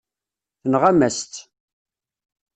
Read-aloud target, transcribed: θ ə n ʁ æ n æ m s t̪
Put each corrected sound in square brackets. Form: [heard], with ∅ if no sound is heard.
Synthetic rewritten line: θ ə n ʁ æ [m] æ [∅] s t̪